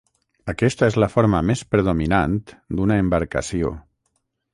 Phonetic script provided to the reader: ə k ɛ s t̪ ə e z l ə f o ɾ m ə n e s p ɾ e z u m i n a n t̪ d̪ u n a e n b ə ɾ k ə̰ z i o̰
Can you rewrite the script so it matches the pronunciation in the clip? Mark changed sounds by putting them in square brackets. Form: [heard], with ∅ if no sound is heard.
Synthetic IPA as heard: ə k ɛ s t̪ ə e z l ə f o ɾ m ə [m] e s p ɾ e [ð] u m i n a n t̪ d̪ u n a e [m] b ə ɾ k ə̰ [s] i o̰